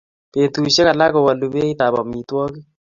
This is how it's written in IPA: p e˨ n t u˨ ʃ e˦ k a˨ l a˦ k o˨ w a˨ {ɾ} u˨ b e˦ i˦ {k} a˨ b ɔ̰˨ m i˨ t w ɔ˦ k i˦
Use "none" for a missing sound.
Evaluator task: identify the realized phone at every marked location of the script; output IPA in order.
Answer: l, t

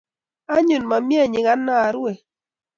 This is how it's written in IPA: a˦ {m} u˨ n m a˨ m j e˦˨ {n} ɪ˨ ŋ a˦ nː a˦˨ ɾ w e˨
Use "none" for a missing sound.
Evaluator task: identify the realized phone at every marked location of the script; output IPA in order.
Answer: ɲ, ɲ

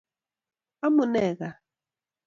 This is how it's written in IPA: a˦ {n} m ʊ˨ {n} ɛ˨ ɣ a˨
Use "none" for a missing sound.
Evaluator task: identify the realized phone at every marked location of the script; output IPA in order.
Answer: none, n

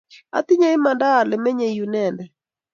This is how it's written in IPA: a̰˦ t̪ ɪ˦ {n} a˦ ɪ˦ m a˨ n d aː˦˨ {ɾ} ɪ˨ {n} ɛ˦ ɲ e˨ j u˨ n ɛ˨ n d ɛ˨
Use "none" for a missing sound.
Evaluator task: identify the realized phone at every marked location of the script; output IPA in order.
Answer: ɲ, l, m

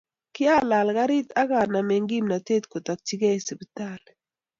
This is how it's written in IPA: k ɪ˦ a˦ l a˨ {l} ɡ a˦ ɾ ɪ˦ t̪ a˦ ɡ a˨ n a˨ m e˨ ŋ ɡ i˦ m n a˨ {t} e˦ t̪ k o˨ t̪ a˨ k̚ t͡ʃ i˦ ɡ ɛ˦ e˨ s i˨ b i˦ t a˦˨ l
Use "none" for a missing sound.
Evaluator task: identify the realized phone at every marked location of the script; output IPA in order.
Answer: l, t

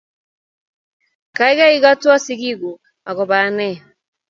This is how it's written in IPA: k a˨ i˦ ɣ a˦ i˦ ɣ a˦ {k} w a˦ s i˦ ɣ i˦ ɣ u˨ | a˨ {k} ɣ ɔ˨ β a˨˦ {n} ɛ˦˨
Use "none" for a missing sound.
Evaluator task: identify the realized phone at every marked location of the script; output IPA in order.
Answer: t, none, n

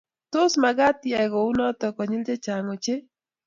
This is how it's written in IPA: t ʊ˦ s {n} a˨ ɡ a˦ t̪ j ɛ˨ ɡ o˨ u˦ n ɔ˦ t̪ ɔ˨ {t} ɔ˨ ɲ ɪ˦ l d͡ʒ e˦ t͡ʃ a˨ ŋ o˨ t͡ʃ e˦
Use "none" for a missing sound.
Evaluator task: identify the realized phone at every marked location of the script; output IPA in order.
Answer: m, k

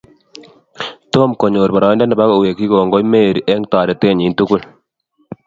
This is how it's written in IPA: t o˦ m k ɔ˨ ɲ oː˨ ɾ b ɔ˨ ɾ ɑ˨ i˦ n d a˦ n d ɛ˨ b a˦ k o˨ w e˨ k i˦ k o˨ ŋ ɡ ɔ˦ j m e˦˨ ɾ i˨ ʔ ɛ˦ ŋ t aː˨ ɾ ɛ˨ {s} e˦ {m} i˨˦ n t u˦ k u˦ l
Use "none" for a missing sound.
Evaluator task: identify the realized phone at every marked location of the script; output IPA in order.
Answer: t, ɲ

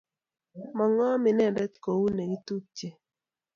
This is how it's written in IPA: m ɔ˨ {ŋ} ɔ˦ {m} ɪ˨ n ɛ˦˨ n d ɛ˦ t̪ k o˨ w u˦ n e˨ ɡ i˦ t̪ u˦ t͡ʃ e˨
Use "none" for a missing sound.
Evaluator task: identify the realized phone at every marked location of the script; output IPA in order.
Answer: ŋ, m

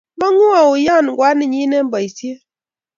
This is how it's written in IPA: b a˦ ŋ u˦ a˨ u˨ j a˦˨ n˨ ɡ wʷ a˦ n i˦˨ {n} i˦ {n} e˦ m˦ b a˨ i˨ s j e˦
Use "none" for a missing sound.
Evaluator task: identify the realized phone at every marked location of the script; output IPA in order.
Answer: ɲ, n

